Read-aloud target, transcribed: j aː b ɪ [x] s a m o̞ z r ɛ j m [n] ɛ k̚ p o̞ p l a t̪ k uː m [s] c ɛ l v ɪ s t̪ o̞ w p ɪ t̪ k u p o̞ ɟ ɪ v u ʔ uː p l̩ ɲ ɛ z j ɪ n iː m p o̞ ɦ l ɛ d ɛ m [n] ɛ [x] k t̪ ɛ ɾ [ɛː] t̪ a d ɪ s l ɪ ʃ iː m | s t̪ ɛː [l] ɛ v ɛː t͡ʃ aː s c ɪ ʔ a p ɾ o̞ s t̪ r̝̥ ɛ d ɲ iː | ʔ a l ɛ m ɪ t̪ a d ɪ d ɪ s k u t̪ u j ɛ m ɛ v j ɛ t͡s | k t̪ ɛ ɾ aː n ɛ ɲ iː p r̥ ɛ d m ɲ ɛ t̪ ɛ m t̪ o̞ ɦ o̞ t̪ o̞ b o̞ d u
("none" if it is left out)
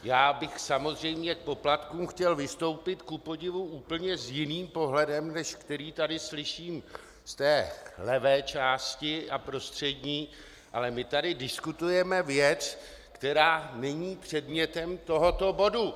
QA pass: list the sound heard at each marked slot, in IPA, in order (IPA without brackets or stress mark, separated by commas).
x, ɲ, x, n, ʃ, iː, l